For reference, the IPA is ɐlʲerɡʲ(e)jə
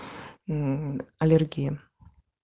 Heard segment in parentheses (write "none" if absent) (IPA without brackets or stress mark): i